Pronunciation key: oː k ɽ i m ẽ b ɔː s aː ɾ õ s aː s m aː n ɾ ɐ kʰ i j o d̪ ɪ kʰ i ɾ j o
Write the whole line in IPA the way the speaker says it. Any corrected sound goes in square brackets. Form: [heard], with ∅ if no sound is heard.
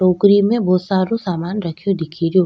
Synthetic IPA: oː k [ɾ] i m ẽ b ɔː s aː ɾ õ s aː [∅] m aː n ɾ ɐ kʰ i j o d̪ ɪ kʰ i ɾ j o